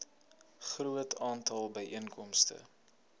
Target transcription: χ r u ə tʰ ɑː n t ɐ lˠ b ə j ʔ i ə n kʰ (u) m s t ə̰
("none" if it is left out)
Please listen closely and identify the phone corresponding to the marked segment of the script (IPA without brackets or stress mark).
ɔ